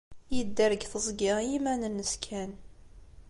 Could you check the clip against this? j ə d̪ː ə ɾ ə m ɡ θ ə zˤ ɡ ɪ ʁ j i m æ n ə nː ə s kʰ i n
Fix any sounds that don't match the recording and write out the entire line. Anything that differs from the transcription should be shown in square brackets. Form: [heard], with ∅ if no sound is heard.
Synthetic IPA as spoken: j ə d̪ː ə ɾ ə [∅] ɡ θ ə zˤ ɡ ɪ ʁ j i m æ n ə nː ə s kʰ [æ] n